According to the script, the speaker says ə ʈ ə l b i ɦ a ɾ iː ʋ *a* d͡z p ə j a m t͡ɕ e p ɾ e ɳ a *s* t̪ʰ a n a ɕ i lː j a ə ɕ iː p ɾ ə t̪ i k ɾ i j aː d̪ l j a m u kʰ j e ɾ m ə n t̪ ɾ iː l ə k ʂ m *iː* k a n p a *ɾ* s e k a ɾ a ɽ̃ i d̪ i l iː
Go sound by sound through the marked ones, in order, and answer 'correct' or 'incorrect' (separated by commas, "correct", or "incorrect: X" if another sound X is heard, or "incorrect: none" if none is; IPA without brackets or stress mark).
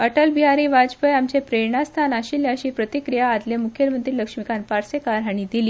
correct, correct, incorrect: i, correct